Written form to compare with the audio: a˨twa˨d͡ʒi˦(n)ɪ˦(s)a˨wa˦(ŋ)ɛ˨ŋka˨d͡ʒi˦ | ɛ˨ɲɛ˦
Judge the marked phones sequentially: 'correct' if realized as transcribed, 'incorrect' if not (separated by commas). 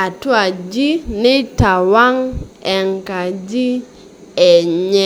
correct, incorrect, correct